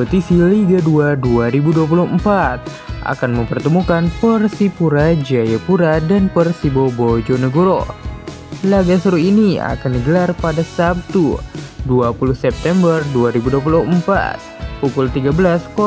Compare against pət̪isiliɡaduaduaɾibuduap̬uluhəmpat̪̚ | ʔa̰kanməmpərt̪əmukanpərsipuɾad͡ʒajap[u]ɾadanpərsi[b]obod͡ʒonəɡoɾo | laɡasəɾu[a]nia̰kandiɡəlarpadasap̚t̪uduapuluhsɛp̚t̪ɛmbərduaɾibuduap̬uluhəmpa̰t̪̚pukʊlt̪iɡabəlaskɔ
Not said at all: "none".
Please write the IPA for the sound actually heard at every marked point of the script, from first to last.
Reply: u, b, i

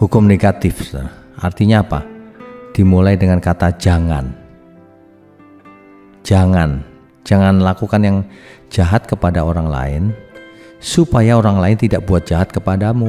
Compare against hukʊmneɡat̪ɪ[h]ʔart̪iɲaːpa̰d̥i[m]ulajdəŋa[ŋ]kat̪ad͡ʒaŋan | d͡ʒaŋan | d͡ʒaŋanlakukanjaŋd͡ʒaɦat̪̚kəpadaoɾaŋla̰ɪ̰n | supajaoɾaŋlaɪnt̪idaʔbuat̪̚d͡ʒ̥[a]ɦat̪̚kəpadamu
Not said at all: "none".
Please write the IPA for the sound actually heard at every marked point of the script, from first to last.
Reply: f, m, n, a

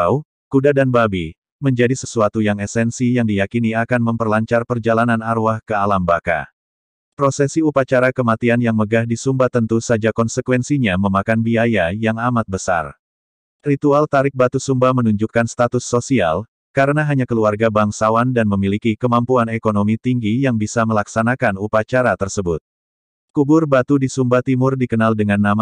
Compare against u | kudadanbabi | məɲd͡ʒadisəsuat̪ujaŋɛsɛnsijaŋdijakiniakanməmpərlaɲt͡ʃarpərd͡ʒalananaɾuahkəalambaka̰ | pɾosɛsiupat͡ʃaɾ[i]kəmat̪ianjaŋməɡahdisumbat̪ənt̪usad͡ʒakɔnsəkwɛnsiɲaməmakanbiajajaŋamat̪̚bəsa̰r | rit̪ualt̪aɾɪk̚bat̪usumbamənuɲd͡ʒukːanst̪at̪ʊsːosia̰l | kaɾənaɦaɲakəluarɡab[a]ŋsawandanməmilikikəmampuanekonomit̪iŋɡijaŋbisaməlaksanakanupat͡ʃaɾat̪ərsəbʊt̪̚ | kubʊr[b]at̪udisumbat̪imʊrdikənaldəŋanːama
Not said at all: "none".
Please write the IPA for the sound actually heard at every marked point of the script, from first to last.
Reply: a, a, b

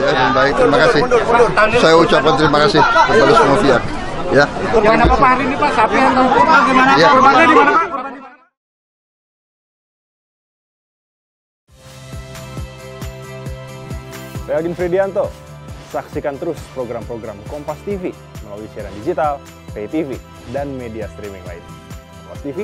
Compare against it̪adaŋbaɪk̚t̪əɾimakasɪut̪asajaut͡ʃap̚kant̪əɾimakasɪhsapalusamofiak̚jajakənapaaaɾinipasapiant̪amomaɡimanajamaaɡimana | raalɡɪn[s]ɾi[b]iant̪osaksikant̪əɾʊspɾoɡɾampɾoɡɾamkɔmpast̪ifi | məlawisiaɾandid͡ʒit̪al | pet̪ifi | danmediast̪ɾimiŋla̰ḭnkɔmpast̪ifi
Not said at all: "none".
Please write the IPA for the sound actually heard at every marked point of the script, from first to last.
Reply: f, d

